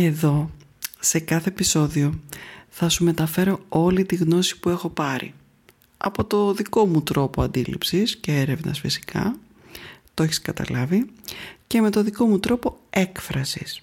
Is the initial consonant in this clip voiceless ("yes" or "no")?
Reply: no